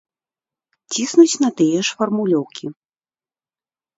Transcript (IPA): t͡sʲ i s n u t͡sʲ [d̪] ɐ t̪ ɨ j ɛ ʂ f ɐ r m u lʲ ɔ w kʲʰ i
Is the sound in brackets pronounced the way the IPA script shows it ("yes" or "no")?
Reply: no